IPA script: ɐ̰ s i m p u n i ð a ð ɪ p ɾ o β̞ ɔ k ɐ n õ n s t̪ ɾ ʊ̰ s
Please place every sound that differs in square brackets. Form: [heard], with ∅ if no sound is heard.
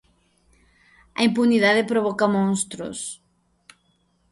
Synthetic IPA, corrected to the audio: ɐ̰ [∅] i m p u n i ð a ð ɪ p ɾ o β̞ ɔ k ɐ [m] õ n s t̪ ɾ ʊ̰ s